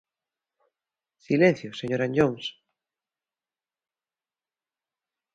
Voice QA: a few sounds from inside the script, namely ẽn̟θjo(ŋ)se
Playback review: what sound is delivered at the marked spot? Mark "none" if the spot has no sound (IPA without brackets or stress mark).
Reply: none